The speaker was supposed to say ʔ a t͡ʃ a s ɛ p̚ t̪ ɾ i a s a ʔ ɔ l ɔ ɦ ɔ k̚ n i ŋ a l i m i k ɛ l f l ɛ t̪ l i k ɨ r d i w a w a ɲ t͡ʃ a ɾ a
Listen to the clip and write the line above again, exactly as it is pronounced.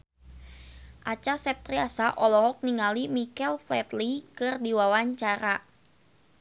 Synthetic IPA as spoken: ʔ a t͡ʃ a s ɛ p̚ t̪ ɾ i a s a ʔ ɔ l ɔ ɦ ɔ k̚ n i ŋ a l i m i k ɛ l f l ɛ t̪ l i k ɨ r d i w a w a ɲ t͡ʃ a ɾ a

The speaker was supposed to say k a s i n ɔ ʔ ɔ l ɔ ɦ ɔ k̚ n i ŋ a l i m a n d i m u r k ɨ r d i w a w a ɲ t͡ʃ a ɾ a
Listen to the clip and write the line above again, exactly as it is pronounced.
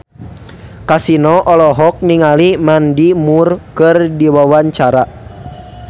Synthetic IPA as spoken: k a s i n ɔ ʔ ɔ l ɔ ɦ ɔ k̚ n i ŋ a l i m a n d i m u r k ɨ r d i w a w a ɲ t͡ʃ a ɾ a

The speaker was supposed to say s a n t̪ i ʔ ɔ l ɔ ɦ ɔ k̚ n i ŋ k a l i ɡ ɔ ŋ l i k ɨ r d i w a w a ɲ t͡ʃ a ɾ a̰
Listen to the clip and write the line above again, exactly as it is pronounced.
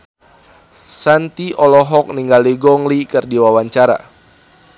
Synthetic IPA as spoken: s a n t̪ i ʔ ɔ l ɔ ɦ ɔ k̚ n i ŋ ɡ a l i ɡ ɔ ŋ l i k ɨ r d i w a w a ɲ t͡ʃ a ɾ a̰

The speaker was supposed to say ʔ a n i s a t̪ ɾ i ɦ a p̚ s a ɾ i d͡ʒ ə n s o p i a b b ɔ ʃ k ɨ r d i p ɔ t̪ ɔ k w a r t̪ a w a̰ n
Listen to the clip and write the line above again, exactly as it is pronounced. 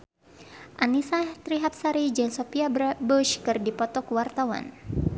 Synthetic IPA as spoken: ʔ a n i s a t̪ ɾ i ɦ a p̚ s a ɾ i d͡ʒ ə n s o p i a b b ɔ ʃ k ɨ r d i p ɔ t̪ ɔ k w a r t̪ a w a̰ n

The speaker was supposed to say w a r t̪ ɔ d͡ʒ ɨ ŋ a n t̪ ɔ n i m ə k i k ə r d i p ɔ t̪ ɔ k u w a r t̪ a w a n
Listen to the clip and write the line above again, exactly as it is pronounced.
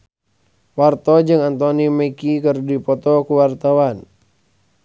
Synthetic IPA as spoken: w a r t̪ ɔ d͡ʒ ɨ ŋ a n t̪ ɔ n i m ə k i k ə r d i p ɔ t̪ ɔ k u w a r t̪ a w a n

